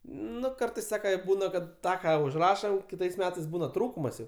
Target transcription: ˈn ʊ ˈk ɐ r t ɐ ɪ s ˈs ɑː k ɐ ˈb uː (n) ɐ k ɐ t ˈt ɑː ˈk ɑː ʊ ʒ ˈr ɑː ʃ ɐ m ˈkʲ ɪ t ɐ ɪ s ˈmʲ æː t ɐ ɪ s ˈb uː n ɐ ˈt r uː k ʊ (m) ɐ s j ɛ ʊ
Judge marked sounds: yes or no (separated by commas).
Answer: yes, yes